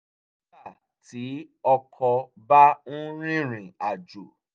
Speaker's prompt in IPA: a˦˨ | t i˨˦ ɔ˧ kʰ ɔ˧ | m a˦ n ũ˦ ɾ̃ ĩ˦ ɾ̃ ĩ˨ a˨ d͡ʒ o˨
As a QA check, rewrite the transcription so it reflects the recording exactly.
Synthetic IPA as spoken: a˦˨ | t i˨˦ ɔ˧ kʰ ɔ˧ | b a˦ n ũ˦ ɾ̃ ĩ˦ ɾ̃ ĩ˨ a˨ d͡ʒ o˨

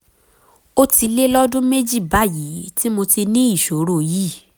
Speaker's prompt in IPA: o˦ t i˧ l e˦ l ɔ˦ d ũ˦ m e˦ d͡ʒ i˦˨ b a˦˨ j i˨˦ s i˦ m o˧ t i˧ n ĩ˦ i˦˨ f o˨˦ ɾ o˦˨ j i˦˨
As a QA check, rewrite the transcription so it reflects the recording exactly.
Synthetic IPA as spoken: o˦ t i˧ l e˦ l ɔ˦ d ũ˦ m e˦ d͡ʒ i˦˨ b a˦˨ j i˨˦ t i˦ m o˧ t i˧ n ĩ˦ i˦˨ ʃ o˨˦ ɾ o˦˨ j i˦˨

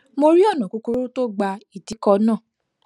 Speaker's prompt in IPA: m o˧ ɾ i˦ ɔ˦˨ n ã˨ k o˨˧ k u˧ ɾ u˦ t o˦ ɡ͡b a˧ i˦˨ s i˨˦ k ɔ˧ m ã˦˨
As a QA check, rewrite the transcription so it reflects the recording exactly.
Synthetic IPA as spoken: m o˧ ɾ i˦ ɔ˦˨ n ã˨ k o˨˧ k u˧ ɾ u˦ t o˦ ɡ͡b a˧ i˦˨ t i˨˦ k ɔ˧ n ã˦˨

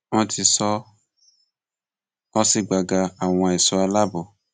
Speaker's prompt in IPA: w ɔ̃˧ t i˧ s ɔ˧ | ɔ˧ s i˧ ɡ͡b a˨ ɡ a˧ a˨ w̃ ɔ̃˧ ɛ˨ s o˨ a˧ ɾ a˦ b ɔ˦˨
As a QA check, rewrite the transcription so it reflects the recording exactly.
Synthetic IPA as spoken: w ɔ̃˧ t i˧ s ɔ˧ | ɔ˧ s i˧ ɡ͡b a˨ ɡ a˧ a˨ w̃ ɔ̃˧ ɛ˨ s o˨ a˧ l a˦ b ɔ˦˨

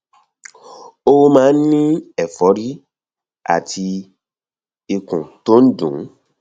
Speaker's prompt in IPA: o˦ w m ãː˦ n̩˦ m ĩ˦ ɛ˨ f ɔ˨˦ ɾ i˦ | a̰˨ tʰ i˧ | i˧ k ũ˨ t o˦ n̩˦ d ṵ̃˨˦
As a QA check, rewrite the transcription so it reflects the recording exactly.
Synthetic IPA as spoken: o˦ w m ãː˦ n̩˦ n ĩ˦ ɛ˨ f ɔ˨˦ ɾ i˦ | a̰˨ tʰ i˧ | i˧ k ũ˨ t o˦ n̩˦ d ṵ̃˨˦

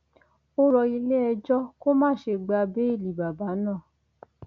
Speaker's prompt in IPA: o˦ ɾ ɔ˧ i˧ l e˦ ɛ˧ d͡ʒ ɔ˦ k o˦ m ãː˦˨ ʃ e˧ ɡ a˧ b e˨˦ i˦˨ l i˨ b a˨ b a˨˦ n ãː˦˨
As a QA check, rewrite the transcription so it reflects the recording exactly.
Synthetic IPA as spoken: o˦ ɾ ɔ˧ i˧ l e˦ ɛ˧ d͡ʒ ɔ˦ k o˦ m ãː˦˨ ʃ e˧ ɡ͡b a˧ b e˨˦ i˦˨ l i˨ b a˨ b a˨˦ n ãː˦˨

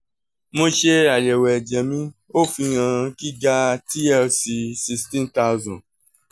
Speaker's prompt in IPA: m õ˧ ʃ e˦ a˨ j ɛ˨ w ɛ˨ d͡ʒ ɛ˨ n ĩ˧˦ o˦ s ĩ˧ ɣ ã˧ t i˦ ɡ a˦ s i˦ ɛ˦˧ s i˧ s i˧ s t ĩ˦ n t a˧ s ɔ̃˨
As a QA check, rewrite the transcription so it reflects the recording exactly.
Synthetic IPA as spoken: m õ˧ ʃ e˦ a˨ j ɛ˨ w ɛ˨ d͡ʒ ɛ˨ m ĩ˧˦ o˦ f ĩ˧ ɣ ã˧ k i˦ ɡ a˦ t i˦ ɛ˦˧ s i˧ s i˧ s t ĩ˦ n t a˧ z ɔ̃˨

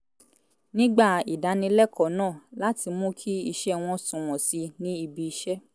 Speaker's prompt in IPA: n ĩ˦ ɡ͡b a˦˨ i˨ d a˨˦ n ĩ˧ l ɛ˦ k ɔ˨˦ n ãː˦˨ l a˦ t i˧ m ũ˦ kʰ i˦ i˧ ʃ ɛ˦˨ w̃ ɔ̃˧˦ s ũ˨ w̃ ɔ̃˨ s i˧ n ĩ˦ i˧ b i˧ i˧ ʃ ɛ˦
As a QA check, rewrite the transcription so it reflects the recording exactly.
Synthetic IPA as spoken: n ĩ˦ ɡ͡b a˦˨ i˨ d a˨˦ n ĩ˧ l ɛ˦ k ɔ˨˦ n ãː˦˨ l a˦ t i˧ m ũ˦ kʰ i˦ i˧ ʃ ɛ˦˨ w̃ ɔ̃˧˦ s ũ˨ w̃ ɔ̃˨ s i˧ n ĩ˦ i˧ b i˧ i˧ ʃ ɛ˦

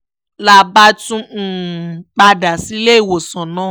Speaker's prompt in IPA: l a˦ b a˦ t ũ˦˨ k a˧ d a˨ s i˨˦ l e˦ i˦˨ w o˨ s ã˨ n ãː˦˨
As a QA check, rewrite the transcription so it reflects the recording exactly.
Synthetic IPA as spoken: l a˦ b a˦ t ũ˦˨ k͡p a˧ d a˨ s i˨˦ l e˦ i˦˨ w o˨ s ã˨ n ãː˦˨

